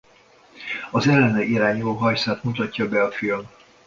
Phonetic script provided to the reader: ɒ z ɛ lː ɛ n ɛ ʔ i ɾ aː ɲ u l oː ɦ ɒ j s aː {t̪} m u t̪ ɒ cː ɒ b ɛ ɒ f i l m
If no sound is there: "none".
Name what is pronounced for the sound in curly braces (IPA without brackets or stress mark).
t̪